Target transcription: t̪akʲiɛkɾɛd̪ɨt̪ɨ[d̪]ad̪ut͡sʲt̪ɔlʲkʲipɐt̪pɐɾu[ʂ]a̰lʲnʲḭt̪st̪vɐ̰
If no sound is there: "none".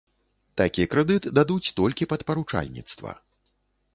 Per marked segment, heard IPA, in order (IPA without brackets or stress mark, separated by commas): d̪, t͡ʂ